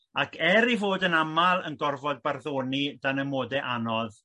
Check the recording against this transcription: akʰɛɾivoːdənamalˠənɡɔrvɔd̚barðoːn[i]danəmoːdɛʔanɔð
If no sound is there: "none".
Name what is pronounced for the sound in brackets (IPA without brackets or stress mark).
i